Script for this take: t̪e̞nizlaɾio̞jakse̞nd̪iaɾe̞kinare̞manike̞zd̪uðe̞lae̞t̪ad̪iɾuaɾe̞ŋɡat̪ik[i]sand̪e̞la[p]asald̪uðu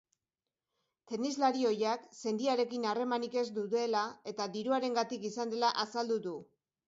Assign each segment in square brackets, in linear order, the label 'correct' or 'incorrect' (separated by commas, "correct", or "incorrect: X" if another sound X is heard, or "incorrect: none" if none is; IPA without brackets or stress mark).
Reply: correct, incorrect: ʔ